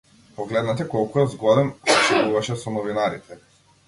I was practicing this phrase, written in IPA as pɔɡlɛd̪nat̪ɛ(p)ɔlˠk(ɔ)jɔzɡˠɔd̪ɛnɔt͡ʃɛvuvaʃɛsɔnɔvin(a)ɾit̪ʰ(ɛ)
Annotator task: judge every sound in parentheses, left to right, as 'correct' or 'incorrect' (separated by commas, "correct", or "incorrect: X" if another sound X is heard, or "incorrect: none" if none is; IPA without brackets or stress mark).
incorrect: k, incorrect: u, correct, correct